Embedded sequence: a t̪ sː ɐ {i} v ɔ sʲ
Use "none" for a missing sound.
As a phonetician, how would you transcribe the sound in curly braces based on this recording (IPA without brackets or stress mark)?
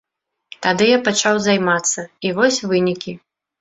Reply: i